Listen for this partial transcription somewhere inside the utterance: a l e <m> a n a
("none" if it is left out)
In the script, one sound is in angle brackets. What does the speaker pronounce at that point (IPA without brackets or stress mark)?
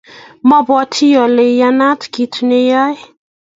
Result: none